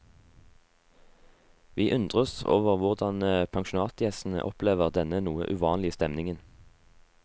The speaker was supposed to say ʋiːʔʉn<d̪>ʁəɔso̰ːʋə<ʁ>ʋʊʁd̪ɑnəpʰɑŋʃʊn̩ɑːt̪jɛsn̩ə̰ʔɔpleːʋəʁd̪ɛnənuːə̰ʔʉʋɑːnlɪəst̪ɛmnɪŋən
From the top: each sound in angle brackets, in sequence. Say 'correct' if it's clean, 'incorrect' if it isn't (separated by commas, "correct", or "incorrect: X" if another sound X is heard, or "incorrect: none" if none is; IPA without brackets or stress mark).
correct, correct